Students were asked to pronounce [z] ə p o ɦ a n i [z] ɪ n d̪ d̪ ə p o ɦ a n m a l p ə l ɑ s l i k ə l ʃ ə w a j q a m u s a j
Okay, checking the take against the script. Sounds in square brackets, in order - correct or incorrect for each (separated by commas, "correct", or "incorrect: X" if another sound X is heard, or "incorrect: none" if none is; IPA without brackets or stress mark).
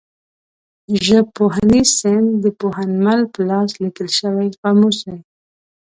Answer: incorrect: ʒ, incorrect: s